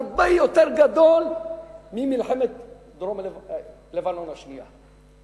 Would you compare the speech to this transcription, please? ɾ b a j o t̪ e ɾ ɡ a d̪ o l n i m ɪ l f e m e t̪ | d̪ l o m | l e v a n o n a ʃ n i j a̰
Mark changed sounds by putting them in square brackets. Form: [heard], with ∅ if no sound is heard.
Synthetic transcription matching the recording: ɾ b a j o t̪ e ɾ ɡ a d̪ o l [m] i m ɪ l [ħ] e m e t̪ | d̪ [ɾ] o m | l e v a n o n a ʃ n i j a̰